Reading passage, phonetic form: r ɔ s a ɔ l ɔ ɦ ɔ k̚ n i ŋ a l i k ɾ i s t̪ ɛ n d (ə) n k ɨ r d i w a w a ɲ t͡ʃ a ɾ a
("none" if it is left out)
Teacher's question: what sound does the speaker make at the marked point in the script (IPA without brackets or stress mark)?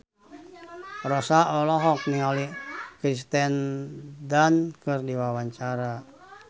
a